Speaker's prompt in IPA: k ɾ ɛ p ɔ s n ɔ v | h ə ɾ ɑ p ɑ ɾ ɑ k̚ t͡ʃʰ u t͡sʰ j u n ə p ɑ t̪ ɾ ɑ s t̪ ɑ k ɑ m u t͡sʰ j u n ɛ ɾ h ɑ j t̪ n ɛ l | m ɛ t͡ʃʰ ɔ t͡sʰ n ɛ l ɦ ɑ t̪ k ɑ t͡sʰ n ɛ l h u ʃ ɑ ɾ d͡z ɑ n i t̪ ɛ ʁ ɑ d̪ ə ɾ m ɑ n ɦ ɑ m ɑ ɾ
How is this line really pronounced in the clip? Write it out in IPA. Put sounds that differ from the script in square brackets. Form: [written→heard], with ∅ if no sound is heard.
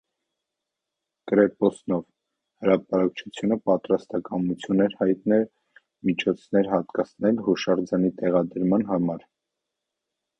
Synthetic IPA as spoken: k ɾ ɛ p ɔ s n ɔ v | h ə ɾ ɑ p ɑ ɾ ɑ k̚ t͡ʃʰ u t͡sʰ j u n ə p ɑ t̪ ɾ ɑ s t̪ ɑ k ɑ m u t͡sʰ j u n ɛ ɾ h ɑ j t̪ n ɛ l | m [ɛ→i] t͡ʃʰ ɔ t͡sʰ n ɛ [l→ɾ] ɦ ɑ t̪ k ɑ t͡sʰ n ɛ l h u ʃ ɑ ɾ d͡z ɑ n i t̪ ɛ ʁ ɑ d̪ ə ɾ m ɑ n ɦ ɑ m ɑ ɾ